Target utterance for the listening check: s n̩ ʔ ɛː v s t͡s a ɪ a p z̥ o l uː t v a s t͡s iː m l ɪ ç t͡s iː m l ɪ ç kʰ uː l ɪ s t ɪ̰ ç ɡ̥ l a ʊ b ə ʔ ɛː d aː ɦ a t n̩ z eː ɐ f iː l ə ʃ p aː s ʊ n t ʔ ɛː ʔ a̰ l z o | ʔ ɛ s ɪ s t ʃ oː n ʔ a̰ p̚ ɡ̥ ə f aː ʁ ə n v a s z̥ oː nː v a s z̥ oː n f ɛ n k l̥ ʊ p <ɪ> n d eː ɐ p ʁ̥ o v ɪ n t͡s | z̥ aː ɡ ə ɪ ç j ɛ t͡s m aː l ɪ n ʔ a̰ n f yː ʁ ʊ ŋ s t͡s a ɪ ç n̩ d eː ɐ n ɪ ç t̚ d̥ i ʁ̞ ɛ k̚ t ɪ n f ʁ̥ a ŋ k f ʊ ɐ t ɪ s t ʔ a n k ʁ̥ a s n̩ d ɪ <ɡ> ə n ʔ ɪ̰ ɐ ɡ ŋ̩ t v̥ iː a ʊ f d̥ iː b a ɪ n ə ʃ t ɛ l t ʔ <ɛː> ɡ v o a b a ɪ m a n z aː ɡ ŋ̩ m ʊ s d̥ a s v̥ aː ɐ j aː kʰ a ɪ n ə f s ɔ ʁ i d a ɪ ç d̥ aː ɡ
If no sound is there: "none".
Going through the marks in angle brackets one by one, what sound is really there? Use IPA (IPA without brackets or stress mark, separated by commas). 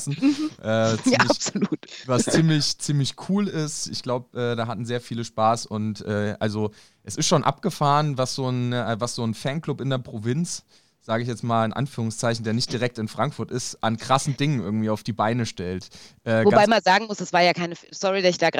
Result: ɪ, ŋ, ɛː